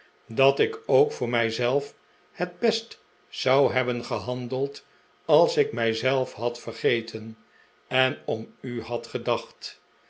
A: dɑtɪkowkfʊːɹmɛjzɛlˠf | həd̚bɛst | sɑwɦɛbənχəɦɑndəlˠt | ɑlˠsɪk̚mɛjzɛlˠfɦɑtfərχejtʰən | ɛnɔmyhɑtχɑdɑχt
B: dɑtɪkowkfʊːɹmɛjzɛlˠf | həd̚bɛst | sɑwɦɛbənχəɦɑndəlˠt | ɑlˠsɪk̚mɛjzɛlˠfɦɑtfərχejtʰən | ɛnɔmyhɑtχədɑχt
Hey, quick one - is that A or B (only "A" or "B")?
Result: B